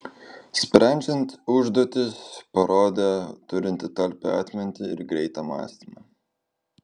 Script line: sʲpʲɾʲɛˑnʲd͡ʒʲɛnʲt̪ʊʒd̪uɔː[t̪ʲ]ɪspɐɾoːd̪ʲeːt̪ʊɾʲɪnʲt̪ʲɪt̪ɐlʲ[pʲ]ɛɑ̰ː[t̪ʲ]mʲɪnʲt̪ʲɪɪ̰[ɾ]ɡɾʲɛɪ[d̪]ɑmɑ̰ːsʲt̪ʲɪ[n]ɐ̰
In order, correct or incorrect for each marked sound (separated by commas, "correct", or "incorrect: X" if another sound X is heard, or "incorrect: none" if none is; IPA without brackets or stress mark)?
correct, correct, correct, correct, incorrect: t̪, incorrect: m